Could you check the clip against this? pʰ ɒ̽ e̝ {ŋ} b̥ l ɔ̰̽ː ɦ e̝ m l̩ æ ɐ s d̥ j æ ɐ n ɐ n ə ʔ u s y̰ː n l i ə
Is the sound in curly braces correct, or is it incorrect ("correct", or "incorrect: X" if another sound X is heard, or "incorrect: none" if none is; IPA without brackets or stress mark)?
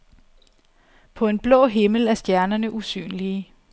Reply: incorrect: n